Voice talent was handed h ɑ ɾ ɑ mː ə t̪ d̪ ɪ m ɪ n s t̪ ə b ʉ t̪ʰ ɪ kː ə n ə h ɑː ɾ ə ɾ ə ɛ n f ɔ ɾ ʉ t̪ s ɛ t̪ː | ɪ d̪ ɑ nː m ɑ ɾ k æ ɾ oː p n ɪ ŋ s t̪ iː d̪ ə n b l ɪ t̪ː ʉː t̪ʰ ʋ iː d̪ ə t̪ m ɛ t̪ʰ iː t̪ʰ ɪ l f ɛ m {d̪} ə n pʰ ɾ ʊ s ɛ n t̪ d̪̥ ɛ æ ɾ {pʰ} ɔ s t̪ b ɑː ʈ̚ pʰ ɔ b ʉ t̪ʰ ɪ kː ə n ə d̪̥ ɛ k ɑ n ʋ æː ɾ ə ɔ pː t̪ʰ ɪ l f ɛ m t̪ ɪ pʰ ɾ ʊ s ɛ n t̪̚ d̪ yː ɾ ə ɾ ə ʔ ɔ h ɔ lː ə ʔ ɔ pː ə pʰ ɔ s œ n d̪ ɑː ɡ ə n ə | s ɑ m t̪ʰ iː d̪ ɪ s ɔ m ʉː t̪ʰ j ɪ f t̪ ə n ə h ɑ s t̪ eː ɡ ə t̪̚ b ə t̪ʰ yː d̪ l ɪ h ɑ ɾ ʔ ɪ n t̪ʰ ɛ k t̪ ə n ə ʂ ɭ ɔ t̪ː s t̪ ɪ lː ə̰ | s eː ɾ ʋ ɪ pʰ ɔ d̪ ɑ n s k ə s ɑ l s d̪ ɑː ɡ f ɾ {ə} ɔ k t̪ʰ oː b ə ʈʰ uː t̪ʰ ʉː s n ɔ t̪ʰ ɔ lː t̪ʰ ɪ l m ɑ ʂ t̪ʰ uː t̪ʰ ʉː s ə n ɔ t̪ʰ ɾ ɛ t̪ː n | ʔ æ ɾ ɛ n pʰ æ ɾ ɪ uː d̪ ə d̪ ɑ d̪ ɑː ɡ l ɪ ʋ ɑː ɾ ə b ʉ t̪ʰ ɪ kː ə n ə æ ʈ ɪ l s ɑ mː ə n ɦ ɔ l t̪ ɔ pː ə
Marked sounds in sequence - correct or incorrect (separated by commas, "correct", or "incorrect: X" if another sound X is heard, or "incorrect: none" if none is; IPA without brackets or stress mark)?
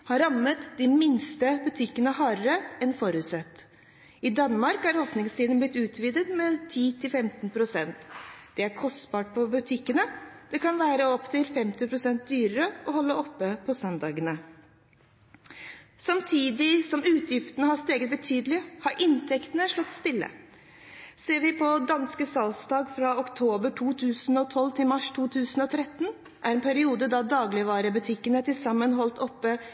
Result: incorrect: t̪, incorrect: kʰ, incorrect: ɑ